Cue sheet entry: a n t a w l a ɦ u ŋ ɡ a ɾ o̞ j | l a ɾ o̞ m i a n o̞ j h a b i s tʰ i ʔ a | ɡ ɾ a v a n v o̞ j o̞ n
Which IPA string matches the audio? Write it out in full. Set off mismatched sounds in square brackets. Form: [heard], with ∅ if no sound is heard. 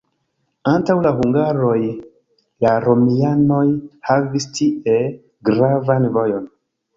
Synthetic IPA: a n t a w l a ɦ u ŋ ɡ a ɾ o̞ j | l a ɾ o̞ m i a n o̞ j h a [v] i s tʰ i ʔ [e] | ɡ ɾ a v a n v o̞ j o̞ n